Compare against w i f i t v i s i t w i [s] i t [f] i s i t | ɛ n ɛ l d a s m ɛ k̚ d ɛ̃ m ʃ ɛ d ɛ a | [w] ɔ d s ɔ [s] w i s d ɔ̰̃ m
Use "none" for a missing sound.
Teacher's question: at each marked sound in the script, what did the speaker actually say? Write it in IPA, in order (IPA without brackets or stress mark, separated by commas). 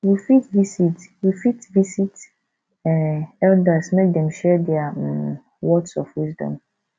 f, v, w, f